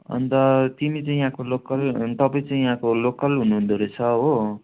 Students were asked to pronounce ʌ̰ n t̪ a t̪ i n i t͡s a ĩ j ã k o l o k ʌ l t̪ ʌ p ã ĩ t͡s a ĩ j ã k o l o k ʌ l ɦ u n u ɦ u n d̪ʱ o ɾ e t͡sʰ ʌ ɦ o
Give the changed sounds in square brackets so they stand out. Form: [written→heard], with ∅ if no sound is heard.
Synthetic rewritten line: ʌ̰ n t̪ [a→ʌ] t̪ i [n→m] i t͡s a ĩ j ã k o l o k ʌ l t̪ ʌ p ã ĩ t͡s a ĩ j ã k o l o k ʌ l ɦ u n u ɦ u n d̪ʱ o ɾ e t͡sʰ ʌ ɦ o

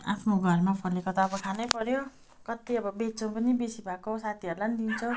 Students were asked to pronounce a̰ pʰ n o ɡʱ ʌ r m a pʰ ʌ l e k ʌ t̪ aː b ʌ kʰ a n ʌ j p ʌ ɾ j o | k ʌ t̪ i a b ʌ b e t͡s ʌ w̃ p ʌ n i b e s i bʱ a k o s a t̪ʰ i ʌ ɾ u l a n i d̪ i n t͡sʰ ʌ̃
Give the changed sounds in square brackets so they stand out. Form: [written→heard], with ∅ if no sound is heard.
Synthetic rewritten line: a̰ pʰ n o ɡʱ ʌ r m a pʰ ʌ l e k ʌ t̪ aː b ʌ kʰ a n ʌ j p ʌ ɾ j o | k ʌ t̪ i [a→ʌ] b ʌ b e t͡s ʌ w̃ p ʌ n i b e s i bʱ a k o s a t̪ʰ i ʌ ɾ u l a n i d̪ i n t͡sʰ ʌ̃

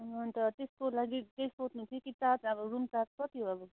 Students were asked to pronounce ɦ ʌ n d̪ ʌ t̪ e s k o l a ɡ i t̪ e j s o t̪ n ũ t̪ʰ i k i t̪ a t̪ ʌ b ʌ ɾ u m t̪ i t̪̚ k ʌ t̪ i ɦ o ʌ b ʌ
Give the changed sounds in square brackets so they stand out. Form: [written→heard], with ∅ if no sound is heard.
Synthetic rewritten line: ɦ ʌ n [d̪→t̪] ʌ t̪ e s k o l a ɡ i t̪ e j s o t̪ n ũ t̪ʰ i k i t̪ a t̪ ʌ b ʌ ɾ u m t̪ [i→a] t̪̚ k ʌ t̪ i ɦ o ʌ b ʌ

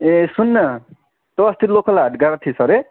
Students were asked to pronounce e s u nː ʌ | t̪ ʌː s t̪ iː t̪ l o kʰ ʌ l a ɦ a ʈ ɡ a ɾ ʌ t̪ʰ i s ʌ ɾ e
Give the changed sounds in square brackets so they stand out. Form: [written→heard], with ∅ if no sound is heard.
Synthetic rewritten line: e s u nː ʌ | t̪ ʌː s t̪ [iː→i] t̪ l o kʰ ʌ l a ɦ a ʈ ɡ a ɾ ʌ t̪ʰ i s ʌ ɾ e

